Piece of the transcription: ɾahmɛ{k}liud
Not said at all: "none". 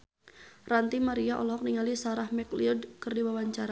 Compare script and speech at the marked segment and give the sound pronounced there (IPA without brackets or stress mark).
k